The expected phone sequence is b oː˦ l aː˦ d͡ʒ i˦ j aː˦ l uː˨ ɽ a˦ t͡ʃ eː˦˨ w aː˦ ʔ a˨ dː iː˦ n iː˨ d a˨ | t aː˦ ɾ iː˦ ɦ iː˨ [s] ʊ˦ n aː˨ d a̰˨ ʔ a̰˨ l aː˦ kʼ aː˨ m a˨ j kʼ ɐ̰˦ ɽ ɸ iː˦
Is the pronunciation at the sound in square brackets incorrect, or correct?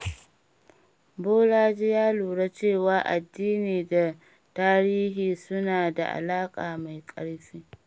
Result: correct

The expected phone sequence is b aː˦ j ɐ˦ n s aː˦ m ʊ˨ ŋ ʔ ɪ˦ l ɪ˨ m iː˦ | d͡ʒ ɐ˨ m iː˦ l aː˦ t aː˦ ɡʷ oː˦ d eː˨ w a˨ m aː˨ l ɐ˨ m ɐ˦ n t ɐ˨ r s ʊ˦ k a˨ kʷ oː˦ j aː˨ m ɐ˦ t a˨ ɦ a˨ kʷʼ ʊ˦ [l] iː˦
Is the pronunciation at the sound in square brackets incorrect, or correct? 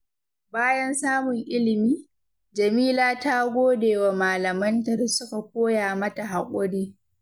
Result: incorrect: ɽ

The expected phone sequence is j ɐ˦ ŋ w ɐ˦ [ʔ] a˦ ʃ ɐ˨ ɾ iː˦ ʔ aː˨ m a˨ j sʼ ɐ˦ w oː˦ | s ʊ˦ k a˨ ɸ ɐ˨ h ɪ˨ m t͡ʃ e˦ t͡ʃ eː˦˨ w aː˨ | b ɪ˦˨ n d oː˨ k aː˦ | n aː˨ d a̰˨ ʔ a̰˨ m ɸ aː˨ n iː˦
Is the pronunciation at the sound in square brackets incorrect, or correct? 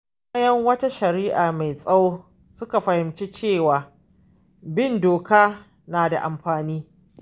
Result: incorrect: t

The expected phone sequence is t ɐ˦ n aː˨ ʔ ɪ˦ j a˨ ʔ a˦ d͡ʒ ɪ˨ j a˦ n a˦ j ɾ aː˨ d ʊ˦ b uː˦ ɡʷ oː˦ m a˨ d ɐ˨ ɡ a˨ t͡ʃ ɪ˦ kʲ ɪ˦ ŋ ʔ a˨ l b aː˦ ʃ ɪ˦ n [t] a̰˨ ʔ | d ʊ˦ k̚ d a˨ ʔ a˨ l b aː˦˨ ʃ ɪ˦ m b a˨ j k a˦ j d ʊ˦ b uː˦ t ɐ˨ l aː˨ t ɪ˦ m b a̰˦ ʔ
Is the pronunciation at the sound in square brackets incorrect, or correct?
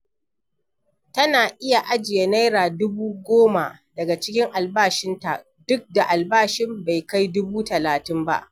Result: correct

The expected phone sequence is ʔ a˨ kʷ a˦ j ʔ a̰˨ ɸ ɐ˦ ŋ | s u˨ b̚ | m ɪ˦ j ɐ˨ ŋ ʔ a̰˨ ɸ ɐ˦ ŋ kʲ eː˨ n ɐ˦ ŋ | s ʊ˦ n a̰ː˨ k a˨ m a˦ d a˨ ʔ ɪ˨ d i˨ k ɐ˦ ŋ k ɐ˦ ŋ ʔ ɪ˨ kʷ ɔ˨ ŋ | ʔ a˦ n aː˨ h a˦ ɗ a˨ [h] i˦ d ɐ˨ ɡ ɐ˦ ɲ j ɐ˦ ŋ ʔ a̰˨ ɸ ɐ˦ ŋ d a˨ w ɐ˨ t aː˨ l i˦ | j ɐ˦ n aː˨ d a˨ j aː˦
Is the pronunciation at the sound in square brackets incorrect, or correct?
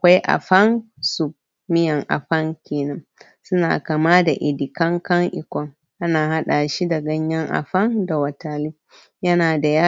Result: incorrect: ʃ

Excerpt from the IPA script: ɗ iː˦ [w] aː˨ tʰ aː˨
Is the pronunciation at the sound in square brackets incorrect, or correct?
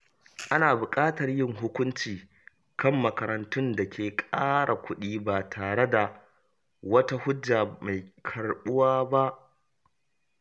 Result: incorrect: b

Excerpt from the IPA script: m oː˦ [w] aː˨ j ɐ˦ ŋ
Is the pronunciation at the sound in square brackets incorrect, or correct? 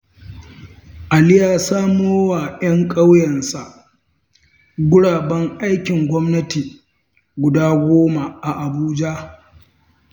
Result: correct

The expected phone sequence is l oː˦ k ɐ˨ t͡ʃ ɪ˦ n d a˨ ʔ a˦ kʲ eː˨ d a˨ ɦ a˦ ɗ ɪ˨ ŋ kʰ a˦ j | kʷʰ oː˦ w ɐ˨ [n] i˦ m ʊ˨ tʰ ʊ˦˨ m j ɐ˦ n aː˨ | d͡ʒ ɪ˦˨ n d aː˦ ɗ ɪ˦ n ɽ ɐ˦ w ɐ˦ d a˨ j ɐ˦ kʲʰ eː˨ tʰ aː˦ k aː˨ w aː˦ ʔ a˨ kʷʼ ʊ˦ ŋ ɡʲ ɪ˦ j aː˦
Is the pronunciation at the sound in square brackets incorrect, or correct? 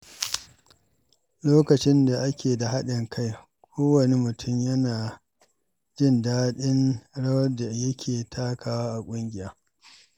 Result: correct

